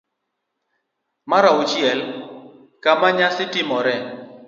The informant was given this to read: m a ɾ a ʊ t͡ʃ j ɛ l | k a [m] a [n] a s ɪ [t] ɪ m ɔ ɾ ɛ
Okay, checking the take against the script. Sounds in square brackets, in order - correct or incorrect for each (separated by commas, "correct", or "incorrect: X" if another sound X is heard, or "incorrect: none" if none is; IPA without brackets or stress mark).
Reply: correct, incorrect: ɲ, correct